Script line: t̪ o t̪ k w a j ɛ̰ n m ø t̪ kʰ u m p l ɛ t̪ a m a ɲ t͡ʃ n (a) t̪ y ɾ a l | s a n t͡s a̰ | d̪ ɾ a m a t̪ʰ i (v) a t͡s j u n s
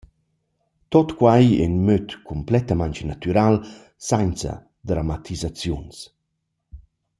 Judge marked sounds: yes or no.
yes, no

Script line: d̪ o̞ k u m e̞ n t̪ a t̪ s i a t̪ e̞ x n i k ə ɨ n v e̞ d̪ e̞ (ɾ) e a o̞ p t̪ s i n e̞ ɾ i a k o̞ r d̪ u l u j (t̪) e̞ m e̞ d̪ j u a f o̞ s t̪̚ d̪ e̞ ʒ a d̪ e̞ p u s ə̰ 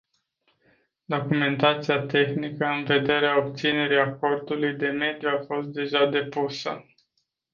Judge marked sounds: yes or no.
yes, no

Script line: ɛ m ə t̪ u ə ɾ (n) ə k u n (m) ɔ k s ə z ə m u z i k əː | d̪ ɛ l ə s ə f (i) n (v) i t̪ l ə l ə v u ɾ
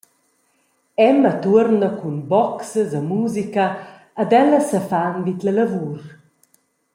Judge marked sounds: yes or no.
yes, no, no, yes

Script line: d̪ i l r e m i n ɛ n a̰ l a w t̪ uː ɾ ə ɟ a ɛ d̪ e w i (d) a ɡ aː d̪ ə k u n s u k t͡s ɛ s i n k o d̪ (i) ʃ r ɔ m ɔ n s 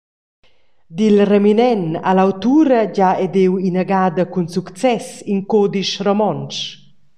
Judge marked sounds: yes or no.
no, yes

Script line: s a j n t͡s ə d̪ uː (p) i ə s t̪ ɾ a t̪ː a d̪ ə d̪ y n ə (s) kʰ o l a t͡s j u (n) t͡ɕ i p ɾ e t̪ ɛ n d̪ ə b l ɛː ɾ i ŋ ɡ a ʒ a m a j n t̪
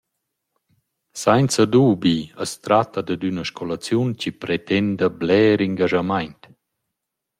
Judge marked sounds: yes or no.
no, no, yes

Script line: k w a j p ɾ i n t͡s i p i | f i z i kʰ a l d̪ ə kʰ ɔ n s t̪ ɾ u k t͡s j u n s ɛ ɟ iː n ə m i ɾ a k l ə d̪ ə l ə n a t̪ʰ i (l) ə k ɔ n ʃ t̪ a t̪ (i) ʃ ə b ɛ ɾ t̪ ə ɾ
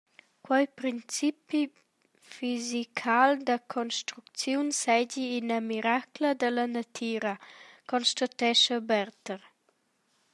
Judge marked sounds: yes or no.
no, no

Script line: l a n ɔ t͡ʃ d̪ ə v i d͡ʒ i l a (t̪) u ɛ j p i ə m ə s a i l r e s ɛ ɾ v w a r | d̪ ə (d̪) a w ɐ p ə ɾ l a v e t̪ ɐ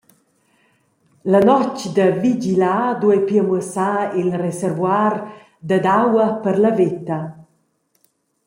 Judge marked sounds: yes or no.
no, yes

